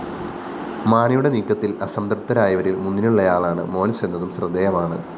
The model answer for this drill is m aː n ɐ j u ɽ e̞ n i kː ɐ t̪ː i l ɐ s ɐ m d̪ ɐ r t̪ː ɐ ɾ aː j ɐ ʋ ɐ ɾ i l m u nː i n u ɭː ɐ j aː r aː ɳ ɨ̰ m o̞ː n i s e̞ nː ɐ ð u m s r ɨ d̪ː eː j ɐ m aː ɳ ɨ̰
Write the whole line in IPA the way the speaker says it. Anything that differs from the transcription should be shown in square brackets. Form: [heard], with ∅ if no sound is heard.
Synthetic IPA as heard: m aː n ɐ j u ɽ e̞ n [iː] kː ɐ t̪ː i l ɐ s ɐ m d̪ ɐ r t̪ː ɐ ɾ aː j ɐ ʋ ɐ ɾ i l m u nː i n u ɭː ɐ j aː [ɭ] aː ɳ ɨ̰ m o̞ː n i s e̞ nː ɐ ð u m s r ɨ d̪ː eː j ɐ m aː ɳ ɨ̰

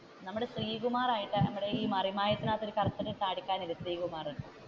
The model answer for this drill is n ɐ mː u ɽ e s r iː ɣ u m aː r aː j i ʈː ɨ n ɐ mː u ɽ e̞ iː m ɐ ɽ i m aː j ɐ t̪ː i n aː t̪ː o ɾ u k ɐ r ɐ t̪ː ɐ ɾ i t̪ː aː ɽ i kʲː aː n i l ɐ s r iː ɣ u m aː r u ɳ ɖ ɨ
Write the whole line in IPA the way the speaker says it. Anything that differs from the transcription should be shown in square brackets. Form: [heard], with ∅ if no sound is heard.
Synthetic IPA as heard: n ɐ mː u ɽ e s r iː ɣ u m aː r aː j i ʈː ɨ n ɐ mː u ɽ e̞ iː m ɐ [r] i m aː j ɐ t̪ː i n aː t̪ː o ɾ u k ɐ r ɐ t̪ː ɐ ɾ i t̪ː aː ɽ i kʲː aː n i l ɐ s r iː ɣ u m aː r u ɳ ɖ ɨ

